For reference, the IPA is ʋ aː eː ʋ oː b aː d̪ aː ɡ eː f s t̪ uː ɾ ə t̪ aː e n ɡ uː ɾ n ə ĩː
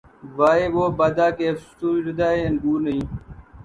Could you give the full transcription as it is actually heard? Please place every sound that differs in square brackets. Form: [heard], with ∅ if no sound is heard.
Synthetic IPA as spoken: ʋ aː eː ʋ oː b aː d̪ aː [k] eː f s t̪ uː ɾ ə [d̪] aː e n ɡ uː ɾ n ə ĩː